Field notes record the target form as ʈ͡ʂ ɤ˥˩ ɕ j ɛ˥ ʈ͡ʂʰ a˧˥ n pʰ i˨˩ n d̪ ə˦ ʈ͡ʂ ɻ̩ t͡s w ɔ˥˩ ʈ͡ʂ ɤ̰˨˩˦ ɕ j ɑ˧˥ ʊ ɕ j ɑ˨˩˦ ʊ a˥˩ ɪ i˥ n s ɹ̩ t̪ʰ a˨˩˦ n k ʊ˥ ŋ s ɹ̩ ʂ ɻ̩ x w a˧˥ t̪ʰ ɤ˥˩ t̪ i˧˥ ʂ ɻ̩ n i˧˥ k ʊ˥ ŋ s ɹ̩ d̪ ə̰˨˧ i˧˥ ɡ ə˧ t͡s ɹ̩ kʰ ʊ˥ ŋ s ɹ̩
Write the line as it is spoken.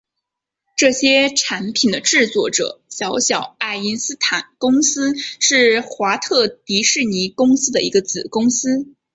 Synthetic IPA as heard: ʈ͡ʂ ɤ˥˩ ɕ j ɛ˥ ʈ͡ʂʰ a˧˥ n pʰ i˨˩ n d̪ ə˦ ʈ͡ʂ ɻ̩ t͡s w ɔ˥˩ ʈ͡ʂ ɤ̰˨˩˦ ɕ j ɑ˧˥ ʊ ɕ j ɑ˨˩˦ ʊ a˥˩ ɪ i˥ n s ɹ̩ t̪ʰ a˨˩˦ n k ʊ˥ ŋ s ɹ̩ ʂ ɻ̩ x w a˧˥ t̪ʰ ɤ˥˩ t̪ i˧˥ ʂ ɻ̩ n i˧˥ k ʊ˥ ŋ s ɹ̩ d̪ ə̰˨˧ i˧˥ ɡ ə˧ t͡s ɹ̩ k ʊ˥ ŋ s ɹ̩